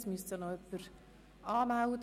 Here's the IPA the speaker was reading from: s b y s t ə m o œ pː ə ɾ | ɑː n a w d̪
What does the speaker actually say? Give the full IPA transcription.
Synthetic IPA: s m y s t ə n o œ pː ə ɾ | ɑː m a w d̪